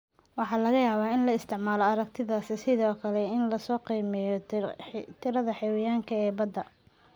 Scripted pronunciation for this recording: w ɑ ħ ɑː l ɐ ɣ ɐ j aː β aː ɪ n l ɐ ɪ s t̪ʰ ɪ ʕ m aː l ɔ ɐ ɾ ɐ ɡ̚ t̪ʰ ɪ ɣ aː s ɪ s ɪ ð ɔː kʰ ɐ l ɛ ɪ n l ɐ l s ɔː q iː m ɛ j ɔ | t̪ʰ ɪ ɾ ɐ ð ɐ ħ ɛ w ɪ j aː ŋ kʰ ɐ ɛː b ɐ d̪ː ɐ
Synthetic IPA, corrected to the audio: w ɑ ħ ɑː l ɐ ɣ ɐ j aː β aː ɪ n l ɐ ɪ s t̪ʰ ɪ ʕ m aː l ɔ ɐ ɾ ɐ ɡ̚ t̪ʰ ɪ ð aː s ɪ s ɪ ð ɔː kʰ ɐ l ɛ ɪ n l ɐ s ɔː q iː m ɛ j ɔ | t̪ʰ ɪ ɾ ɐ ð ɐ ħ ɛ w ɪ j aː ŋ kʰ ɐ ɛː b ɐ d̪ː ɐ